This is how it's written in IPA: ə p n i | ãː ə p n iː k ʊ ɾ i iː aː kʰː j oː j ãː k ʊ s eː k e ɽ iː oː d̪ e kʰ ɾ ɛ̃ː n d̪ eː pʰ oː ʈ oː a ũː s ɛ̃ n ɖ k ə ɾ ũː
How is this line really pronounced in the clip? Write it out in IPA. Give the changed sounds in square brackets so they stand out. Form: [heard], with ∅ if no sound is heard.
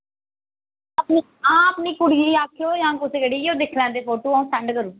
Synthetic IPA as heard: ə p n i | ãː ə p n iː k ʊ [ɽ] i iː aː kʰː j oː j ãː k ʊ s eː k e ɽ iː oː d̪ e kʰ [l] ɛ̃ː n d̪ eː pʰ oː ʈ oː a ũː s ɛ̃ [ɳ] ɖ k ə ɾ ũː